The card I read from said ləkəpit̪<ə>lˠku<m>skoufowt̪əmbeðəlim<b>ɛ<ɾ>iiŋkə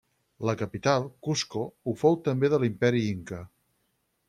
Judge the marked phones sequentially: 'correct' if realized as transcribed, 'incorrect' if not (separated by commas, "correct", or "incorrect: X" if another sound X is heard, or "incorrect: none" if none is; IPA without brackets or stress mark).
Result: incorrect: a, incorrect: none, incorrect: p, correct